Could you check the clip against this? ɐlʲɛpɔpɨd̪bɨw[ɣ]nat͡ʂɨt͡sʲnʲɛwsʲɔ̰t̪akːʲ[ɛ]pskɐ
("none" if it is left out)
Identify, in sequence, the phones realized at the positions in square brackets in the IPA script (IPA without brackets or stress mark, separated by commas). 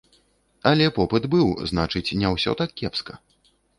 z, ɛ